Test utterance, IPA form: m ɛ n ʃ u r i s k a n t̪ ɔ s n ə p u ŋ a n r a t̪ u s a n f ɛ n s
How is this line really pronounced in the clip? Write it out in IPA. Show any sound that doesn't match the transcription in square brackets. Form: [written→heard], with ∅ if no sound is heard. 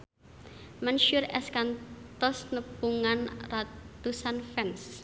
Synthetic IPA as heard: m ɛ n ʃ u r [i→ɛ] s k a n t̪ ɔ s n ə p u ŋ a n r a t̪ u s a n f ɛ n s